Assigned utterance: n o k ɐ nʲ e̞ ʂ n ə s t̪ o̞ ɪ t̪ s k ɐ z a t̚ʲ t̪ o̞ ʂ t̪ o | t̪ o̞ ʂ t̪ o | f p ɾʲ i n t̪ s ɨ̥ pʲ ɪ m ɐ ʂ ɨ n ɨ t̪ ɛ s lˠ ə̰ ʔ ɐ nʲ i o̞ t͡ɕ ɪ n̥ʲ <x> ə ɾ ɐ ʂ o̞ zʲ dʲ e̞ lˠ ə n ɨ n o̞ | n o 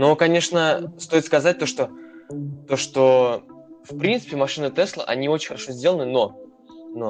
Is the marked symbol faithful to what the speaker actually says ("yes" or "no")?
yes